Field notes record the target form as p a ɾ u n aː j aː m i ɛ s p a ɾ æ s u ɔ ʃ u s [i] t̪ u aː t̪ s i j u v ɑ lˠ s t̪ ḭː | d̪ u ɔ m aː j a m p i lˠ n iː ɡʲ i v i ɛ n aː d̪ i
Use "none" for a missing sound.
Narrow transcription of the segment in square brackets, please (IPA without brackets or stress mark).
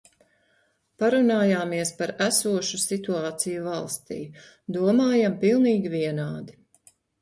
i